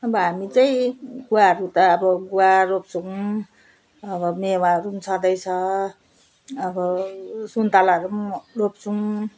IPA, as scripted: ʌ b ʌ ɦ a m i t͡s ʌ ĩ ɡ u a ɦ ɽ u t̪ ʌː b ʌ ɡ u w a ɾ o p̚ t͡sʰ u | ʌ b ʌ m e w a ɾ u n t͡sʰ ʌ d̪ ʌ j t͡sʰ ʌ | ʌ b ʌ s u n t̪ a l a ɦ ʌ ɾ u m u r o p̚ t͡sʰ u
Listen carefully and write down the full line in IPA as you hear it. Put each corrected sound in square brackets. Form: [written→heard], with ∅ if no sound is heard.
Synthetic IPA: ʌ b ʌ ɦ a m i t͡s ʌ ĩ ɡ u a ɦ [ɽ→ɾ] u t̪ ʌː b ʌ ɡ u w a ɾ o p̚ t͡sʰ u | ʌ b ʌ m e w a ɾ u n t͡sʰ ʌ d̪ ʌ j t͡sʰ ʌ | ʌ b ʌ s u n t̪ a l a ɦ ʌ ɾ u m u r o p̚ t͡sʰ u